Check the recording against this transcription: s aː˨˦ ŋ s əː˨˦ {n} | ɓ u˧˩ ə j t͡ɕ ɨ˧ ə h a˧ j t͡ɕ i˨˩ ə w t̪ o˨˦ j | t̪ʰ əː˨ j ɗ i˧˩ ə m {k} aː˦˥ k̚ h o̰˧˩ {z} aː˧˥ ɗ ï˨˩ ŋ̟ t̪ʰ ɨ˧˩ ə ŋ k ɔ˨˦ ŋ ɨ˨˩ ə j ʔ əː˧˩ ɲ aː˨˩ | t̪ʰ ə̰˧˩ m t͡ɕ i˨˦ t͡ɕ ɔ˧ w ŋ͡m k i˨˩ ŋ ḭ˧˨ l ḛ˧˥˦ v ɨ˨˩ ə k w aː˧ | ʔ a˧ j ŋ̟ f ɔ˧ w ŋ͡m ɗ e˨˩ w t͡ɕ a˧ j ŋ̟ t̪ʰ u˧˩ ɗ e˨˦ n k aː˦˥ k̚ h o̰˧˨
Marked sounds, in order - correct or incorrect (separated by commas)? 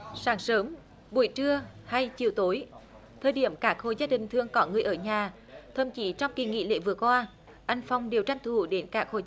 incorrect, correct, correct